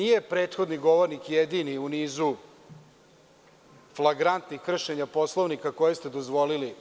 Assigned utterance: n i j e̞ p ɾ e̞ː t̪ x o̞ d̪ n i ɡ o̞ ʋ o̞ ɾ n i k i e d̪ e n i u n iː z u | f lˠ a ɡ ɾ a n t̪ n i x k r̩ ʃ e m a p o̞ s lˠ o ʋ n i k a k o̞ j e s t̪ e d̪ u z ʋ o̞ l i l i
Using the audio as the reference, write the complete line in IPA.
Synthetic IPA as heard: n i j e̞ p ɾ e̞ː t̪ x o̞ d̪ n i ɡ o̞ ʋ o̞ ɾ n i k j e d̪ i n i u n iː z u | f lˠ a ɡ ɾ a n t̪ n i x k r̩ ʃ e ɲ a p o̞ s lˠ o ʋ n i k a k o̞ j e s t̪ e d̪ o z ʋ o̞ l i l i